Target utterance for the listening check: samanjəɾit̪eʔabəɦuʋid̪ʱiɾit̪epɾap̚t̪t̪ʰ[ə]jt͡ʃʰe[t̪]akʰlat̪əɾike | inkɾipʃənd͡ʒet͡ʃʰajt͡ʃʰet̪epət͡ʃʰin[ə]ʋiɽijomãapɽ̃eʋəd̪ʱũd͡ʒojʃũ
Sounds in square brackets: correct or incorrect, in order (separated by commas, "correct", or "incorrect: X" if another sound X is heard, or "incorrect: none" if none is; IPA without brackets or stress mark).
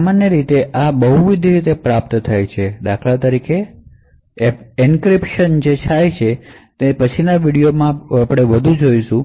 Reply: incorrect: a, incorrect: d̪, incorrect: a